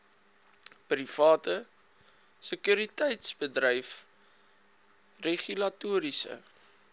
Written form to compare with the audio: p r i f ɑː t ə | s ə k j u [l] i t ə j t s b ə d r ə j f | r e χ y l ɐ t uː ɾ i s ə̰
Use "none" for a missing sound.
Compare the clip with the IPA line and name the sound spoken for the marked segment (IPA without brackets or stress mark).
ɾ